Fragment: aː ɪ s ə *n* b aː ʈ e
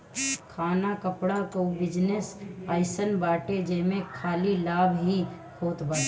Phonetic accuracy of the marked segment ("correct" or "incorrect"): correct